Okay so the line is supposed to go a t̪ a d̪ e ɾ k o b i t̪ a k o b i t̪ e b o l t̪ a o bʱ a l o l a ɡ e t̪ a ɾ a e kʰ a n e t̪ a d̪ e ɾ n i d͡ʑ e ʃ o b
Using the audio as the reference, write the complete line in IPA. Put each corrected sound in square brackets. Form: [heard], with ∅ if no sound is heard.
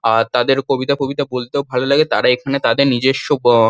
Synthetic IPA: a t̪ a d̪ e ɾ k o b i t̪ a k o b i t̪ [a] b o l t̪ [e] o bʱ a l o l a ɡ e t̪ a ɾ a e kʰ a n e t̪ a d̪ e ɾ n i d͡ʑ e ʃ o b